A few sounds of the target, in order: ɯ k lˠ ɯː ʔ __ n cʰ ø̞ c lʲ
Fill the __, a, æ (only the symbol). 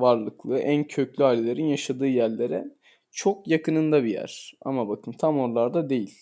æ